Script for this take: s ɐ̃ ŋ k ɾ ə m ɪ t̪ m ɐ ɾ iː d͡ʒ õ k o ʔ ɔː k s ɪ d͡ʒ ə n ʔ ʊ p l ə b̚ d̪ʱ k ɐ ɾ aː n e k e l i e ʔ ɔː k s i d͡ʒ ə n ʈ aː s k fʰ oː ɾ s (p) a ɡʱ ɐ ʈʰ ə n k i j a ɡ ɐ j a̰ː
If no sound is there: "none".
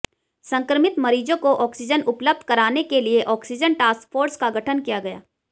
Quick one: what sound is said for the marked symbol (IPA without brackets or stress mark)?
k